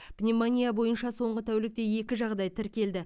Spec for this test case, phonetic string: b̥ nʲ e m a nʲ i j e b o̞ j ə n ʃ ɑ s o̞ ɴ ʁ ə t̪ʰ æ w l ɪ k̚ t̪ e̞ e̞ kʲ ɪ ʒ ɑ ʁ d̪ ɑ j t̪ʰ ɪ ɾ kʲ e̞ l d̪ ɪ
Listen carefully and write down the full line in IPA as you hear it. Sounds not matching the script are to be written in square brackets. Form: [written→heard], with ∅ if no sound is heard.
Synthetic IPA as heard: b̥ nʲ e m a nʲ i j [e→a] b o̞ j ə n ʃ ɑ s o̞ ɴ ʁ ə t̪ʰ æ w l ɪ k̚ t̪ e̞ e̞ kʲ ɪ ʒ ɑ ʁ d̪ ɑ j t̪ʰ ɪ ɾ kʲ e̞ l d̪ ɪ